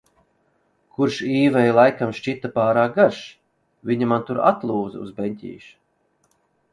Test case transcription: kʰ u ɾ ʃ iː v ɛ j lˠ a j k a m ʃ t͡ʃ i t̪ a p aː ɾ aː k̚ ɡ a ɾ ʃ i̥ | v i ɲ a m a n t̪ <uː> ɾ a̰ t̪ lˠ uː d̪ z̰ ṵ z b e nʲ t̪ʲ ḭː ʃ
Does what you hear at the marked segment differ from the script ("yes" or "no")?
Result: yes